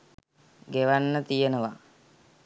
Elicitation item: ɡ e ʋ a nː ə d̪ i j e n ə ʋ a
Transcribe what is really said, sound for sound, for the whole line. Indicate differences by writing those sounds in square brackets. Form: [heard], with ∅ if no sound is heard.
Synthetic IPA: ɡ e ʋ a nː ə [t̪] i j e n ə ʋ a